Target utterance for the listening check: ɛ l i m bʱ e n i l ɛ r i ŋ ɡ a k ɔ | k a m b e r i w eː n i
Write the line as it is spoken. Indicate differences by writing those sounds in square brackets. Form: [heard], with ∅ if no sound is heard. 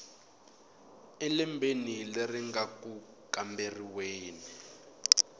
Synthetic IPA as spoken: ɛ l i m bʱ e n i l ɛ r i ŋ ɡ a k [u] | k a m b e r i w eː n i